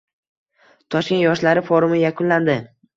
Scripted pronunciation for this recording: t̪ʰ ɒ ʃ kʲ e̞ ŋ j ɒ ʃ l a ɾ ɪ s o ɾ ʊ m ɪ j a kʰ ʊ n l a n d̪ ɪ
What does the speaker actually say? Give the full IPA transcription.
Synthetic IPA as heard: t̪ʰ ɒ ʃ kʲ e̞ n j ɒ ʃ l a ɾ ɪ f o ɾ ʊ m ɪ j a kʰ ʊ n l a n d̪ ɪ